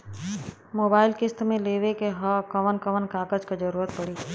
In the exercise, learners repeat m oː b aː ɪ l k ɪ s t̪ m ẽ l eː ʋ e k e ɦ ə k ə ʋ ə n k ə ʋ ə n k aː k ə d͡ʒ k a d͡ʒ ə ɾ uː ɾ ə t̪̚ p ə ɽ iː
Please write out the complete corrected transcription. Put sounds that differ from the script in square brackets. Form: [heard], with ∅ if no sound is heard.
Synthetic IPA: m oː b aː ɪ l k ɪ s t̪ m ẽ l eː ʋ e k e ɦ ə k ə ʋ ə n k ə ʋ ə n k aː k ə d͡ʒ k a d͡ʒ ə ɾ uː ɾ ə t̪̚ p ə ɽ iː